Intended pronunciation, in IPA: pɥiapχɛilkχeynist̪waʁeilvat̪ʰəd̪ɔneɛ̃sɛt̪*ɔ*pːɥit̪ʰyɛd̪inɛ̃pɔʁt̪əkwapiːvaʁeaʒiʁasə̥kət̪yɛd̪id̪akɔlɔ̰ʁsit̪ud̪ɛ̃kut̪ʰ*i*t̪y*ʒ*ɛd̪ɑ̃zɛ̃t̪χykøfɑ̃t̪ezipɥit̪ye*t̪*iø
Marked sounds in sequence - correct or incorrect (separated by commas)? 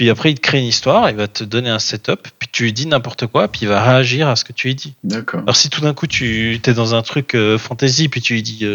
correct, incorrect, incorrect, incorrect